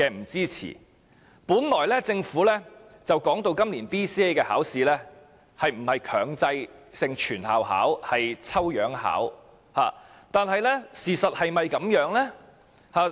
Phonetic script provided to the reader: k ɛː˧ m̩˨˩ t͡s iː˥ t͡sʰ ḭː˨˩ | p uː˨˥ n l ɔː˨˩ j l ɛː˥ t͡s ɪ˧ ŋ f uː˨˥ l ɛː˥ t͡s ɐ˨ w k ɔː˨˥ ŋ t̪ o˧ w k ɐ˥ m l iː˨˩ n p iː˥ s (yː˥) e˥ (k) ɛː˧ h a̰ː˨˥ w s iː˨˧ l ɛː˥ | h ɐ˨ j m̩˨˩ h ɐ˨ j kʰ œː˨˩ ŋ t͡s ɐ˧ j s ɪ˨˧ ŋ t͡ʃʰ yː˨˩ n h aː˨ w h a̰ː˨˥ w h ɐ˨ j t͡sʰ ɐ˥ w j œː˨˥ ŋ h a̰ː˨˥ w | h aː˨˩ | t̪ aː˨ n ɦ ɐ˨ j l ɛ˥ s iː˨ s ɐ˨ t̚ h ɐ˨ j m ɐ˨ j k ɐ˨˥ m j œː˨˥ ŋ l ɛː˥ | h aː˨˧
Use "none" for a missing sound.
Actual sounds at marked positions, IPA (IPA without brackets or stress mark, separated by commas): iː˥, k